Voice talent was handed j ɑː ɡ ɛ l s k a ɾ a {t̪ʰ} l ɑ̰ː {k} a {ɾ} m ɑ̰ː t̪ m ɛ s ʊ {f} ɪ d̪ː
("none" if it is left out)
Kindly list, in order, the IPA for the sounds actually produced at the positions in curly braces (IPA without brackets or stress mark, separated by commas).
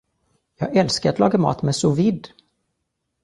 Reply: t̪, ɡ, none, v